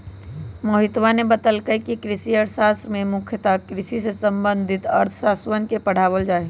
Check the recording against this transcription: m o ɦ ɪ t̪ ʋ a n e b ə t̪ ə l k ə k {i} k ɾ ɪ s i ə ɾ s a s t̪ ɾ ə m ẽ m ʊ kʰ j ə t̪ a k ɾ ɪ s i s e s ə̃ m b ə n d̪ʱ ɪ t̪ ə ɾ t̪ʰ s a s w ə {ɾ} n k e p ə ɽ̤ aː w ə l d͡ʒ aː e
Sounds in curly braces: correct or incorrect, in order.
correct, incorrect

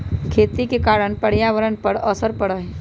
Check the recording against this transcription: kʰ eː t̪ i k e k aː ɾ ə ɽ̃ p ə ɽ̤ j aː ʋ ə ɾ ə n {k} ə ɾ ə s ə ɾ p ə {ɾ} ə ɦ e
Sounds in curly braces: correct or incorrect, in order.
incorrect, incorrect

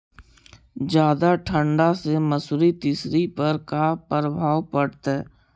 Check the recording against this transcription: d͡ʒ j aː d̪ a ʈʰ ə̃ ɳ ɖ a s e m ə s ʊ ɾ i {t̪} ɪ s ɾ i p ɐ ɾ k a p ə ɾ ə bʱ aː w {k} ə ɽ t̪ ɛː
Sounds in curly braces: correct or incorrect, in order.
correct, incorrect

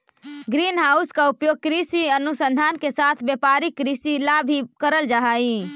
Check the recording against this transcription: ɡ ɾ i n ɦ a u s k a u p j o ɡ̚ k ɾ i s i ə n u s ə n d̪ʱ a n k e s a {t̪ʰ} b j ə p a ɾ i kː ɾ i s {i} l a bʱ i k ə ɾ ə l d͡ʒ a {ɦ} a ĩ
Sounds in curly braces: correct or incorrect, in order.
correct, correct, correct

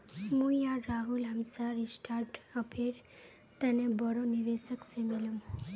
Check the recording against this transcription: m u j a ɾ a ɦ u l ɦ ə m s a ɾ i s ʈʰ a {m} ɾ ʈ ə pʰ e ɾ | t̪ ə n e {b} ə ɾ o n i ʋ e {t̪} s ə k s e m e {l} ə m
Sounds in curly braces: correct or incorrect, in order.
incorrect, correct, incorrect, correct

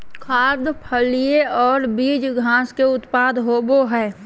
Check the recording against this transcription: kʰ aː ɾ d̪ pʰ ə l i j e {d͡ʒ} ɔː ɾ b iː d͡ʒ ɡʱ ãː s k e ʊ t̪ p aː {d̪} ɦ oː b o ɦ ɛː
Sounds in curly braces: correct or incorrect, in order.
incorrect, correct

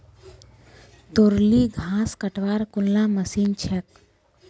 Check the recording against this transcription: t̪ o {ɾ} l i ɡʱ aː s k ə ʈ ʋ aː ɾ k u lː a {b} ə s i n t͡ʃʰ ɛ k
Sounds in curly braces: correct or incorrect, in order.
correct, incorrect

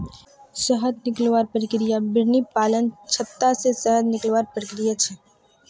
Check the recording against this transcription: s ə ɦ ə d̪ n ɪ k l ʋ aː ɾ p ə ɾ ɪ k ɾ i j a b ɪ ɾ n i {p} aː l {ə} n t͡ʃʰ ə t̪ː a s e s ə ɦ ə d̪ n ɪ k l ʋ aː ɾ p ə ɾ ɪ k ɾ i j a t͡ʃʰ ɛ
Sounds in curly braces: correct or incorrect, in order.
correct, correct

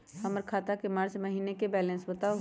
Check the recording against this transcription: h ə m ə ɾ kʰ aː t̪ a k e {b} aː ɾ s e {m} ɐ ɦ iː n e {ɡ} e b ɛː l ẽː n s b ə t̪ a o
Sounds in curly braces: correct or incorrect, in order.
incorrect, correct, incorrect

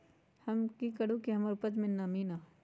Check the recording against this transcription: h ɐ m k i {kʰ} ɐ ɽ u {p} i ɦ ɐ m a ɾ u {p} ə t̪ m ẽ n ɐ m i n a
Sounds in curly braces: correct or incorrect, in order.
incorrect, incorrect, correct

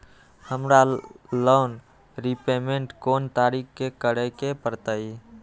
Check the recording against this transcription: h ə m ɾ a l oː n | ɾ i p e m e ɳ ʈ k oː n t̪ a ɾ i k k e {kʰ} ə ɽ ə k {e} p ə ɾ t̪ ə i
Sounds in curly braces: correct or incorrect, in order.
incorrect, correct

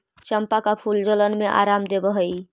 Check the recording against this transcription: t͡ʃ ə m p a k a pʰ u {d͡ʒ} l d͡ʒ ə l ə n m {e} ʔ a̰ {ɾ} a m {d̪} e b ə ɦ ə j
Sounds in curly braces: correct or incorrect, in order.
incorrect, correct, correct, correct

